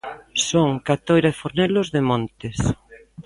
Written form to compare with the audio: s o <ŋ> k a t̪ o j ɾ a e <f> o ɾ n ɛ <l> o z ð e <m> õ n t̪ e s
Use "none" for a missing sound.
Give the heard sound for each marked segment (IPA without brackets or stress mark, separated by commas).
ŋ, f, l, m